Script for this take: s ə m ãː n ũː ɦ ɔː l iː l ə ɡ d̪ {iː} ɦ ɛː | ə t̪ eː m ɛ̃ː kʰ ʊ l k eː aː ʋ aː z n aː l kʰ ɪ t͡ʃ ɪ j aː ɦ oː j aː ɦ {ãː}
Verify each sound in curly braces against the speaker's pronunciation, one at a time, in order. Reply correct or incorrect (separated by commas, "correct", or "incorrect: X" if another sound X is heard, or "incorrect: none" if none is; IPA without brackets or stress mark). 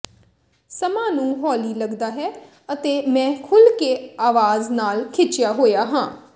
incorrect: aː, correct